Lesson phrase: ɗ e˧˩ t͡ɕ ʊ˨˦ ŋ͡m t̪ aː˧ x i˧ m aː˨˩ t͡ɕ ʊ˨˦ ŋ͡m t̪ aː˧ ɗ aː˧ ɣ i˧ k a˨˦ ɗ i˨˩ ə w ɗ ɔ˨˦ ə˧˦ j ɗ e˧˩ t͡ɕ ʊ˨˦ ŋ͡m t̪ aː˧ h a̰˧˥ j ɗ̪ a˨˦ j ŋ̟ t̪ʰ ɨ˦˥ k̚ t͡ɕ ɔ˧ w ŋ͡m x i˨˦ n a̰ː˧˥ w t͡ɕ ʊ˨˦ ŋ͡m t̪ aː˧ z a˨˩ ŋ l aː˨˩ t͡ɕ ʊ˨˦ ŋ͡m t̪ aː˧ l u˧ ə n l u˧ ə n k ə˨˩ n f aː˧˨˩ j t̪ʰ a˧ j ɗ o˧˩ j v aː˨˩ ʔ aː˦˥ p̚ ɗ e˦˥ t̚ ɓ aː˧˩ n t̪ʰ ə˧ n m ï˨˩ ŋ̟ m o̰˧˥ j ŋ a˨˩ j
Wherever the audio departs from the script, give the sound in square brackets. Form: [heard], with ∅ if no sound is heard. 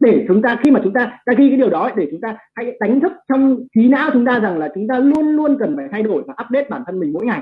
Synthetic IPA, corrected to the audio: ɗ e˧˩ t͡ɕ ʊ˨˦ ŋ͡m t̪ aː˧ x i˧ m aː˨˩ t͡ɕ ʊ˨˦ ŋ͡m t̪ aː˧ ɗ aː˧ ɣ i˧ k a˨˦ ɗ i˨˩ ə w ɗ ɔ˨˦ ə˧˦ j ɗ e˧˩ t͡ɕ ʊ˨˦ ŋ͡m t̪ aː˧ h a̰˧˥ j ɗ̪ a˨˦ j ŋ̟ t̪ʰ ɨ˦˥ k̚ t͡ɕ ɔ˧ w ŋ͡m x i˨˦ n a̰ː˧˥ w t͡ɕ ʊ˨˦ ŋ͡m t̪ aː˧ z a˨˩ ŋ l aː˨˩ t͡ɕ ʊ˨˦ ŋ͡m t̪ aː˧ l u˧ ə n l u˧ ə n k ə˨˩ n f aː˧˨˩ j t̪ʰ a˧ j ɗ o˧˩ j v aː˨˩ ʔ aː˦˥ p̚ ɗ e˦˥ t̚ ɓ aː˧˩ n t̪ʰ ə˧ n m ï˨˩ ŋ̟ m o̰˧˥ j ŋ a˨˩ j